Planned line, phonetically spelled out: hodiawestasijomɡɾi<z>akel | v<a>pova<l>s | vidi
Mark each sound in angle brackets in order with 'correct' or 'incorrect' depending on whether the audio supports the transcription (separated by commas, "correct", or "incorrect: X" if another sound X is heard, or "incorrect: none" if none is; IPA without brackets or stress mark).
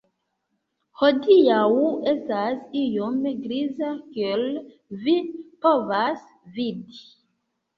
correct, incorrect: i, incorrect: none